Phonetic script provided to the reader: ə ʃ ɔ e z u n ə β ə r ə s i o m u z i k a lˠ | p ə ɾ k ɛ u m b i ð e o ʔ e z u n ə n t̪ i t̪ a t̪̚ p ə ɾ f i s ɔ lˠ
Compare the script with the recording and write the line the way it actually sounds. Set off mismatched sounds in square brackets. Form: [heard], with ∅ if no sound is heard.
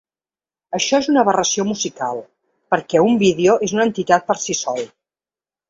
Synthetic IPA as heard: ə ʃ ɔ e z u n ə β ə r ə s i o m u z i k a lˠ | p ə ɾ k ɛ u m b i ð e o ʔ e z u n ə n t̪ i t̪ a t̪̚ p ə ɾ [s] i s ɔ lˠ